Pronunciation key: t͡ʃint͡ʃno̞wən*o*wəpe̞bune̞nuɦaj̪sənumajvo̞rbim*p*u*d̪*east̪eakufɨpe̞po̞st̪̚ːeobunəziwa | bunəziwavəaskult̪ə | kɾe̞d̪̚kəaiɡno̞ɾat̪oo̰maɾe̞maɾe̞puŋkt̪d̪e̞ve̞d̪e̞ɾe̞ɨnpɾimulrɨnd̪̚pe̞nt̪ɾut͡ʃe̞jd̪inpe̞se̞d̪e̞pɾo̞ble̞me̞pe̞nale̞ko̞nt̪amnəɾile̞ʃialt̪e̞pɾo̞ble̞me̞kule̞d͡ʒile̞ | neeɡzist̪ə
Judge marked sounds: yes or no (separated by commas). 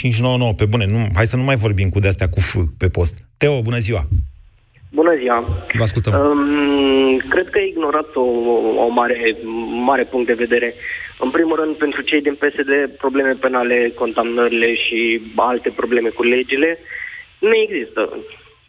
yes, no, yes